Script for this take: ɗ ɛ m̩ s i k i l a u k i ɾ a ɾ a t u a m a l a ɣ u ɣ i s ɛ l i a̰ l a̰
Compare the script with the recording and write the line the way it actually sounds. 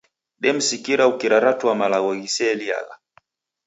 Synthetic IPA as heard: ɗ ɛ m̩ s i k i ɾ a u k i ɾ a ɾ a t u a m a l a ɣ ɔ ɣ i s ɛ l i a̰ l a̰